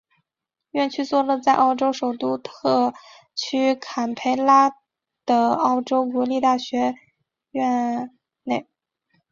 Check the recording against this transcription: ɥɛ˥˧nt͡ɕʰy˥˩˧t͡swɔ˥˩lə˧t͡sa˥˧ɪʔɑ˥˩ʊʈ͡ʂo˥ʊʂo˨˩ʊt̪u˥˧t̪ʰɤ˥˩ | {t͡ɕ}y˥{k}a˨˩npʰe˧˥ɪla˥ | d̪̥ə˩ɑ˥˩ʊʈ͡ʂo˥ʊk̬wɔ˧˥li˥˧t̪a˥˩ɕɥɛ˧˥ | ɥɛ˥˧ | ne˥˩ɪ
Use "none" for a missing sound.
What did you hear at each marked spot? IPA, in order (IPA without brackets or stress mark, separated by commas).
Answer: t͡ɕʰ, kʰ